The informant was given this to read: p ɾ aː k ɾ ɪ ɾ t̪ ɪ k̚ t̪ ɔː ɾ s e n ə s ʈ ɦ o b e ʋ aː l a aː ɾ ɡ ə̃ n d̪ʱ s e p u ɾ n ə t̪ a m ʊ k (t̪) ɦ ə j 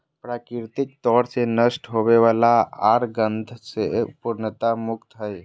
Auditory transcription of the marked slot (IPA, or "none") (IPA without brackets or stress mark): t̪